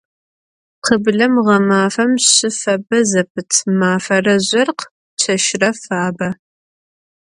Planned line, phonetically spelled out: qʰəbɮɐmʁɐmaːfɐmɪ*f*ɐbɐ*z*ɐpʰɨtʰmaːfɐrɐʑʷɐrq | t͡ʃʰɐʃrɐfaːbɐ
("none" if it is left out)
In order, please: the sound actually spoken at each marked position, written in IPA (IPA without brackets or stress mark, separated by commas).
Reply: f, z